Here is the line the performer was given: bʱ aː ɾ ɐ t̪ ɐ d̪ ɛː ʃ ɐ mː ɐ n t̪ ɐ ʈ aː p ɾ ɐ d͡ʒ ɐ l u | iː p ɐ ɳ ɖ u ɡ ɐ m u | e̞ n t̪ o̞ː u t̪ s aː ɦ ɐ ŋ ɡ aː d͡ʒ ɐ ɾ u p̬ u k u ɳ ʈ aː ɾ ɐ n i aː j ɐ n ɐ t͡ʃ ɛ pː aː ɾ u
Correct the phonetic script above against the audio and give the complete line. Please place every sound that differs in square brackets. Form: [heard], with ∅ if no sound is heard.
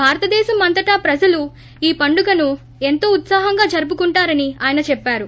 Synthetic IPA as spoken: bʱ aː ɾ ɐ t̪ ɐ d̪ ɛː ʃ ɐ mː ɐ n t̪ ɐ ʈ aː p ɾ ɐ d͡ʒ ɐ l u | iː p ɐ ɳ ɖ u ɡ ɐ [n] u | e̞ n t̪ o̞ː u t̪ s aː ɦ ɐ ŋ ɡ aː d͡ʒ ɐ ɾ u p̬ u k u ɳ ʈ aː ɾ ɐ n i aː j ɐ n ɐ t͡ʃ ɛ pː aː ɾ u